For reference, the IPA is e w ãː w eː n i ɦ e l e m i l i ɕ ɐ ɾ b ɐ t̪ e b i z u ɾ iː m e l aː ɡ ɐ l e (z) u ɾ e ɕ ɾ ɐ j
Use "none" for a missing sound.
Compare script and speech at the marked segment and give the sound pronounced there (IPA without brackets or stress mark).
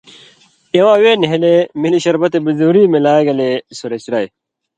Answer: s